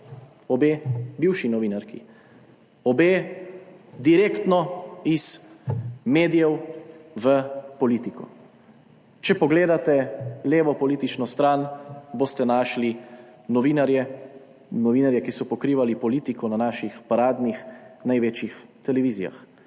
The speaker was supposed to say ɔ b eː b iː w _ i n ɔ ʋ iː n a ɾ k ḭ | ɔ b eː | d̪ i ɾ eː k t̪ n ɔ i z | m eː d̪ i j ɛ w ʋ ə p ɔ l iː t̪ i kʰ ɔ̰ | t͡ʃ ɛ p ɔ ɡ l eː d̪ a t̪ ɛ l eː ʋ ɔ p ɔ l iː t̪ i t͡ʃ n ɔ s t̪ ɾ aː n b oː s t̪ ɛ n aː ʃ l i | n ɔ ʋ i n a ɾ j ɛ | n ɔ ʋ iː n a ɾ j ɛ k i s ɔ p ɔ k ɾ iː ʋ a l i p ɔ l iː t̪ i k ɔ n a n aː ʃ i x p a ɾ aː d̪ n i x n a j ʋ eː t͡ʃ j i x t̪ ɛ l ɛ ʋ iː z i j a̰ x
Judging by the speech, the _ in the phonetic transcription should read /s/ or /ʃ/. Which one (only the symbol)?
ʃ